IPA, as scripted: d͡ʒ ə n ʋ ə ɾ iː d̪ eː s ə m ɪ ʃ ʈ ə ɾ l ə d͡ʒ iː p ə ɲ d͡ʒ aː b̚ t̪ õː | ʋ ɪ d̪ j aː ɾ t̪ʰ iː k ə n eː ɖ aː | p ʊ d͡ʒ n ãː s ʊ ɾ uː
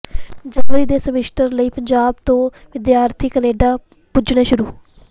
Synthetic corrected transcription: d͡ʒ ə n ʋ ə ɾ iː d̪ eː s ə m ɪ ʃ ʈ ə ɾ l ə iː p ə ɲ d͡ʒ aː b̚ t̪ õː | ʋ ɪ d̪ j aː ɾ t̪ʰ iː k ə n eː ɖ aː | p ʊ d͡ʒ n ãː ʃ ʊ ɾ uː